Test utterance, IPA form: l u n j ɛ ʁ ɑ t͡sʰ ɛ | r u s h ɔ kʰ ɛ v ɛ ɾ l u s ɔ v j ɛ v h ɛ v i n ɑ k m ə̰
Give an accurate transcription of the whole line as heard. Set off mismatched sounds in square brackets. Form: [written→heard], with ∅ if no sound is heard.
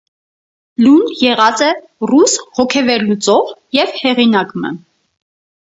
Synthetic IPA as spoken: l u n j ɛ ʁ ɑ [t͡sʰ→t͡s] ɛ | r u s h ɔ kʰ ɛ v ɛ ɾ l u [s→t͡s] ɔ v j ɛ v h ɛ [v→ʁ] i n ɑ k m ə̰